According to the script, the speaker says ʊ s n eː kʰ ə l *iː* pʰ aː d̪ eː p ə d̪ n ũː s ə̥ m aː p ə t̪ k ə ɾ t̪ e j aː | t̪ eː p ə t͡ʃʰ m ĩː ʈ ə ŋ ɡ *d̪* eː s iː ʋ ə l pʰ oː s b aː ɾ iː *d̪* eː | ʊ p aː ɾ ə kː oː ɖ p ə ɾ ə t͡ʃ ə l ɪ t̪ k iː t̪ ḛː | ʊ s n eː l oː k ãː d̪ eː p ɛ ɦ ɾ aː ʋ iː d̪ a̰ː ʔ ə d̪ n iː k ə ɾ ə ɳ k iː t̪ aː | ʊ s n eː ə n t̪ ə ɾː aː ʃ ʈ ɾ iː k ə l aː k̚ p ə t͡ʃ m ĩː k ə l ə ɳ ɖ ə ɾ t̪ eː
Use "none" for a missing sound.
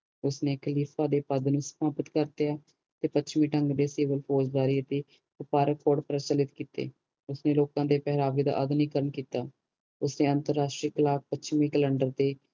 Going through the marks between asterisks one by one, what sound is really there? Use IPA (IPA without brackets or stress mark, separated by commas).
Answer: iː, d̪, t̪